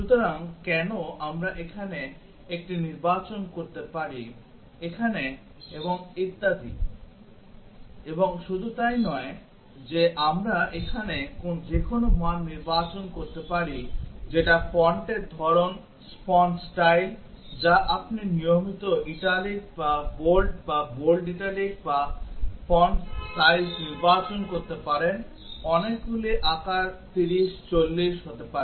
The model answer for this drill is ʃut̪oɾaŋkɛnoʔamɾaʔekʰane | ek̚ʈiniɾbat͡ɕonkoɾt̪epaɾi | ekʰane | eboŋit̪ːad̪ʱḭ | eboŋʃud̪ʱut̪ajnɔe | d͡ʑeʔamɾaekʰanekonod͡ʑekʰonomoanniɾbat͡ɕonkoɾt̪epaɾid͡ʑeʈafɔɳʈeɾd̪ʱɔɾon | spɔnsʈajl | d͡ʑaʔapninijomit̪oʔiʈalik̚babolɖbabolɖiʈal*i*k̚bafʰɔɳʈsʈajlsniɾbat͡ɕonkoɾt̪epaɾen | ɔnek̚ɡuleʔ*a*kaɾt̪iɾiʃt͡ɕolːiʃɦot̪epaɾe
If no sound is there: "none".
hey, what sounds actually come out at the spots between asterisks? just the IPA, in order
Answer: i, a

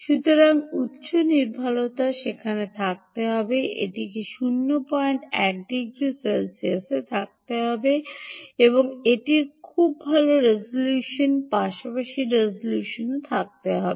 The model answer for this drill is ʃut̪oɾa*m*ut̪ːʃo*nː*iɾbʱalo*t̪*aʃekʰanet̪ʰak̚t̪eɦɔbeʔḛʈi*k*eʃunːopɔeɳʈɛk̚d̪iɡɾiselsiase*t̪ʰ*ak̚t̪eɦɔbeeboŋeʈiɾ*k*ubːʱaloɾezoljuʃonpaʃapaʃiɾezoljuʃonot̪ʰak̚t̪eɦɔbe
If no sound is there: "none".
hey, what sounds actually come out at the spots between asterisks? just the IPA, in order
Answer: ŋ, n, t̪, k, t̪ʰ, kʰ

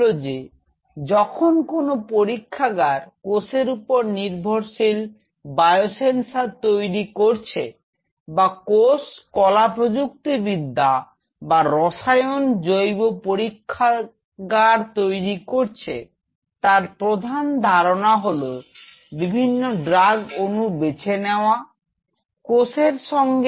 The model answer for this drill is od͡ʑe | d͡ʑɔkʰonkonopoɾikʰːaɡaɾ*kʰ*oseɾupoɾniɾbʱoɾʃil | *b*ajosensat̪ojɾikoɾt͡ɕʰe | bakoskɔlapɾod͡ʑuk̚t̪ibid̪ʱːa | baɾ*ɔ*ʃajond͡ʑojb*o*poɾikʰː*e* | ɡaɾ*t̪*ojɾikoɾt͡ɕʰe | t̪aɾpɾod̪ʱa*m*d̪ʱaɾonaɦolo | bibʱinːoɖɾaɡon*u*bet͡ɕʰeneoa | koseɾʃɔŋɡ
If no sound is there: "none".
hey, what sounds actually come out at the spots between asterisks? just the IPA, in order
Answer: k, b, ɔ, o, a, t̪, n, u

